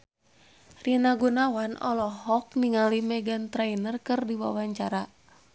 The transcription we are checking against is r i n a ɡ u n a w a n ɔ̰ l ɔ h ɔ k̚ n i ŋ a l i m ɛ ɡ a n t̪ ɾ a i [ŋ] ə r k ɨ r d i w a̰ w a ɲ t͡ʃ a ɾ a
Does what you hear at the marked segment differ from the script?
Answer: yes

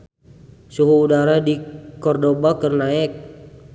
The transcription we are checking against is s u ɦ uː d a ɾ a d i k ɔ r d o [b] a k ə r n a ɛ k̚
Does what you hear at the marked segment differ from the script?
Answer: no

